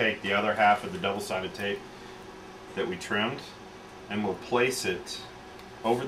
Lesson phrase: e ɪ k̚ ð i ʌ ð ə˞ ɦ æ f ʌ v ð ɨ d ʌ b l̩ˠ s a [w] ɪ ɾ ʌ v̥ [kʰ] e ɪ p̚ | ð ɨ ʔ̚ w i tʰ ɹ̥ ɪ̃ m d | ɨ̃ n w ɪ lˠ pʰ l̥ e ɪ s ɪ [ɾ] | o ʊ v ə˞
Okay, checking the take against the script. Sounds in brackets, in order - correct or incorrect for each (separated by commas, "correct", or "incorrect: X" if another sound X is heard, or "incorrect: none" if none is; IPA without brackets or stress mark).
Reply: incorrect: none, incorrect: tʰ, correct